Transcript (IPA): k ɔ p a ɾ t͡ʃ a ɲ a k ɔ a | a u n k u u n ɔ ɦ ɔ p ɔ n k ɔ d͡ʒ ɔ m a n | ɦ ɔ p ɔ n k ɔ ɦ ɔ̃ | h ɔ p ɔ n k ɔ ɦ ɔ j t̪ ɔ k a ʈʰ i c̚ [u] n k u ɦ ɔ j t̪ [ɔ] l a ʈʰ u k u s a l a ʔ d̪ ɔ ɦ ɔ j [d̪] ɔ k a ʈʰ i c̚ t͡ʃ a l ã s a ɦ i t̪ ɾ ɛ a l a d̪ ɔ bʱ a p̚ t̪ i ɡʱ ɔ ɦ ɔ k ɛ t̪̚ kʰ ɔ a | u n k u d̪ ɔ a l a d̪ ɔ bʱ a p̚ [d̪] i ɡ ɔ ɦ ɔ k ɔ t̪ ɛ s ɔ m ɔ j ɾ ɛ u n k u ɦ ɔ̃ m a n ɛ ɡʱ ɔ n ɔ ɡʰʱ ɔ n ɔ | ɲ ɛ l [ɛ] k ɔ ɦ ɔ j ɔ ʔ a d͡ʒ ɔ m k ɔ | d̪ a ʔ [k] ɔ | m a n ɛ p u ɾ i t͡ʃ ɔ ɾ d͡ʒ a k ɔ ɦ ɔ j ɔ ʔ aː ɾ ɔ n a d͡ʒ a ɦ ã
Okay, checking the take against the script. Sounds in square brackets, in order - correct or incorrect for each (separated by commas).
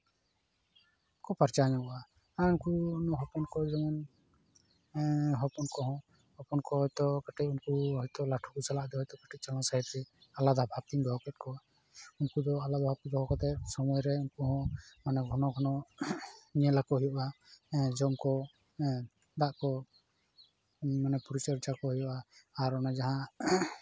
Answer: correct, correct, incorrect, incorrect, incorrect, correct